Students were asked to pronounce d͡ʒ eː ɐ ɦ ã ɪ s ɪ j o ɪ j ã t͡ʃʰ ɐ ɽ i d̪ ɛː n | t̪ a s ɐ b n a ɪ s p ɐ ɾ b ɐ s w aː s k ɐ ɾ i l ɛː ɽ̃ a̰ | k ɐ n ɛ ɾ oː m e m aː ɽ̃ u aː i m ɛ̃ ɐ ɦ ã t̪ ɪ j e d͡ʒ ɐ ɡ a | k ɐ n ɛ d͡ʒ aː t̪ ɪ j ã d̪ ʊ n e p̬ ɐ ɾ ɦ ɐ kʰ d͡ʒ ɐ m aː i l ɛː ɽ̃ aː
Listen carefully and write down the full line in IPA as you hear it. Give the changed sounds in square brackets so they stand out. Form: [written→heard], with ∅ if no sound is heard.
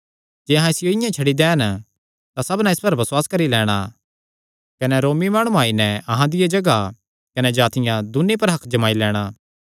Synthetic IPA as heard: d͡ʒ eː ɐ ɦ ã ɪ s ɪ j o ɪ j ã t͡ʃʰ ɐ ɽ i d̪ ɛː n | t̪ a s ɐ b n a ɪ s p ɐ ɾ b ɐ s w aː s k ɐ ɾ i l ɛː ɽ̃ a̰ | k ɐ n ɛ ɾ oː m [e→i] m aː ɽ̃ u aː i [m→n] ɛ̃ ɐ ɦ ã [t̪→d̪] ɪ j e d͡ʒ ɐ ɡ a | k ɐ n ɛ d͡ʒ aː t̪ ɪ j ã d̪ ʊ n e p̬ ɐ ɾ ɦ ɐ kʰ d͡ʒ ɐ m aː i l ɛː ɽ̃ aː